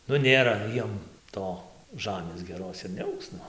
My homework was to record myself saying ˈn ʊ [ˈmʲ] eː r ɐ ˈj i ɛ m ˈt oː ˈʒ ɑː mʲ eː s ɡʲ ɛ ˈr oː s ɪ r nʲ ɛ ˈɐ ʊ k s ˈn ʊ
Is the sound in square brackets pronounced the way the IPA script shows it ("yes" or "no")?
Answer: no